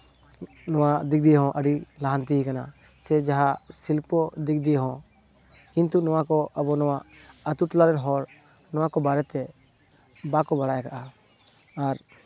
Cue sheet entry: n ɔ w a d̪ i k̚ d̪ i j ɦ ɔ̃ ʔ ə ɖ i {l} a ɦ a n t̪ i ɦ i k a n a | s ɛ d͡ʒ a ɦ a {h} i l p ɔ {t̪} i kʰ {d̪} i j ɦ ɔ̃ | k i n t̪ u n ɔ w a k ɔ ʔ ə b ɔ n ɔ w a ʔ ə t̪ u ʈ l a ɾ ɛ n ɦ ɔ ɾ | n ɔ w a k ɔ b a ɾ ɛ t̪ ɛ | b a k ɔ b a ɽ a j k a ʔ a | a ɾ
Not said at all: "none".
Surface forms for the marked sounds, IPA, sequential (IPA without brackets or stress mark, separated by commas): l, s, d̪, d̪